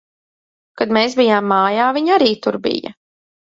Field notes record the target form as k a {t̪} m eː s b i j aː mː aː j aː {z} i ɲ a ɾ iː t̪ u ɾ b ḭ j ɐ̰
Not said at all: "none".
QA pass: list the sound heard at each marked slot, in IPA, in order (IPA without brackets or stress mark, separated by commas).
d̪, v